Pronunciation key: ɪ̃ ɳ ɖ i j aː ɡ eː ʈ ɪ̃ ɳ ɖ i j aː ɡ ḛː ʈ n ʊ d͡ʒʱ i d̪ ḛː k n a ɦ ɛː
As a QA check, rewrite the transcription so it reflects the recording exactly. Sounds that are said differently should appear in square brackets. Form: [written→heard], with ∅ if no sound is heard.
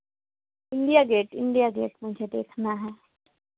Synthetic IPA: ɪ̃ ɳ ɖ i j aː ɡ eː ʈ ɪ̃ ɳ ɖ i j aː ɡ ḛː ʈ [n→m] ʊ d͡ʒʱ [i→e] d̪ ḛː [k→kʰ] n a ɦ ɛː